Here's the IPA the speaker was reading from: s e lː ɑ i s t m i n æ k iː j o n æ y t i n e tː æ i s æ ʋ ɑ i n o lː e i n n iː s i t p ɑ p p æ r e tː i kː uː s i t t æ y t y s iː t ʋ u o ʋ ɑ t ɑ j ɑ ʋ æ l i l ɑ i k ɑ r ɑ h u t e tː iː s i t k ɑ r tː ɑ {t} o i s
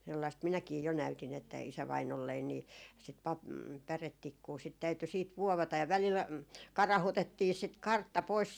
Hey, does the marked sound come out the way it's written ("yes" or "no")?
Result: no